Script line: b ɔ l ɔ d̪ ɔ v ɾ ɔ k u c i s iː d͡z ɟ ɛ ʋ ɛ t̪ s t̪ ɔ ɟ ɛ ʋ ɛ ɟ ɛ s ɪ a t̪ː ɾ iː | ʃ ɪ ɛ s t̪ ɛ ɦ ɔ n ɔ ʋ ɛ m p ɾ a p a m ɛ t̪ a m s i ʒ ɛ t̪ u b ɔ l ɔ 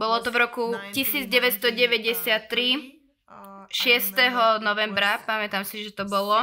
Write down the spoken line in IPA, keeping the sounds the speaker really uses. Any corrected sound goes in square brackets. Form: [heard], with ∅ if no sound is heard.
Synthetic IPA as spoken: b ɔ l ɔ [t̪] ɔ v ɾ ɔ k u c i s iː d͡z ɟ ɛ ʋ ɛ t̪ s t̪ ɔ ɟ ɛ ʋ ɛ ɟ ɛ s ɪ a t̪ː ɾ [i] | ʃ ɪ ɛ s t̪ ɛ ɦ ɔ n ɔ ʋ ɛ m [b] ɾ a p a m ɛ t̪ a m s i ʒ ɛ t̪ [ɔ] b ɔ l ɔ